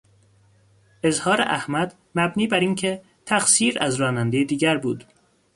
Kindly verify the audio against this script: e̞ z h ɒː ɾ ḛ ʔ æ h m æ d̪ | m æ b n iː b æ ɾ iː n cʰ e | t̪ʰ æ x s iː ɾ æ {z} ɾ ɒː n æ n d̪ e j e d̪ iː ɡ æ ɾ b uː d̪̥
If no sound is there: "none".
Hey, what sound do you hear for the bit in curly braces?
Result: z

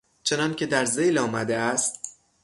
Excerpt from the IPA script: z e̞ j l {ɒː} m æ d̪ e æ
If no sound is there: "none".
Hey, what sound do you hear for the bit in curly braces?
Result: ɒː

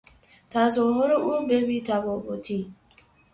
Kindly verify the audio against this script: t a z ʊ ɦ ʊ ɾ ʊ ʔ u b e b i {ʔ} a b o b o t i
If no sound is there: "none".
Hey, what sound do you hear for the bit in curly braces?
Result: t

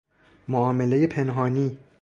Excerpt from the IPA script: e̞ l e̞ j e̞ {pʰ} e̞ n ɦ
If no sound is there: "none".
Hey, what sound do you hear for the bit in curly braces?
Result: pʰ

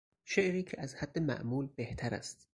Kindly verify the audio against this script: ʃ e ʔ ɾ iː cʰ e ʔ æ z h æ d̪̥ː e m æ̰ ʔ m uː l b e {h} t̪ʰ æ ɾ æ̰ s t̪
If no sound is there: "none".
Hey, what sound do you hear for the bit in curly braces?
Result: h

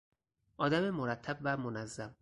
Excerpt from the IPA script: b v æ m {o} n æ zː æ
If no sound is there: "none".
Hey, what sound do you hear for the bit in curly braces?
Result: o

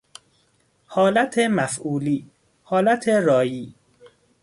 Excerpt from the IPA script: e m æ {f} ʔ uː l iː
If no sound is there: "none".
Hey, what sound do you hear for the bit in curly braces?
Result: f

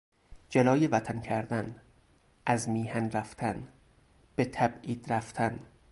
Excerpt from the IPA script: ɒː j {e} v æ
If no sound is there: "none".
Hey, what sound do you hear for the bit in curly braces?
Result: e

